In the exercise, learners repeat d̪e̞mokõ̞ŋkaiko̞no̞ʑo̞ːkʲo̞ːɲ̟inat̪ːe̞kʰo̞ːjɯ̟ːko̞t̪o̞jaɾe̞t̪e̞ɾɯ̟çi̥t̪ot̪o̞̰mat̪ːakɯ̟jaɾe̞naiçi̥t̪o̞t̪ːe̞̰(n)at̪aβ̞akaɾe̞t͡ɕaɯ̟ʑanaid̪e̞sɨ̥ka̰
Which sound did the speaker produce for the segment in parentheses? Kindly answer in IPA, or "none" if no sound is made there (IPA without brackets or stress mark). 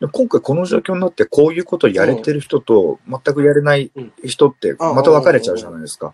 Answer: m